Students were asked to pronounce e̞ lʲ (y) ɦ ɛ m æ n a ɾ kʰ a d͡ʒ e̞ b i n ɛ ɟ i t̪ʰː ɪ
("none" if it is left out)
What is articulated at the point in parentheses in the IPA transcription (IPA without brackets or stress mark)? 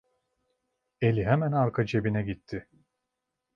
i